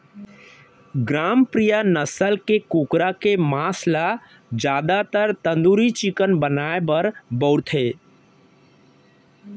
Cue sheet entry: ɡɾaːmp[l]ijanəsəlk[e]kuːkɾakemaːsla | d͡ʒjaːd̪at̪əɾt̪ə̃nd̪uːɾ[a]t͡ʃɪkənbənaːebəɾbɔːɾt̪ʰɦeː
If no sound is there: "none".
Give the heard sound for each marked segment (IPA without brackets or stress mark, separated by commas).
ɾ, e, i